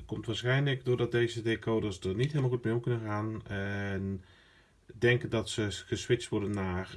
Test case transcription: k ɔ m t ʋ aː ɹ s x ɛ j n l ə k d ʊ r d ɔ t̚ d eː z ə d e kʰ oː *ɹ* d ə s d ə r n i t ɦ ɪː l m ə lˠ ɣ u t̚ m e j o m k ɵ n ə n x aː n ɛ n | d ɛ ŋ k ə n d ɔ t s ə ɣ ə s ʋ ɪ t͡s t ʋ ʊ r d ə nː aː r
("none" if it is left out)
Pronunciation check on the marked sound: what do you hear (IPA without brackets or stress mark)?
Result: none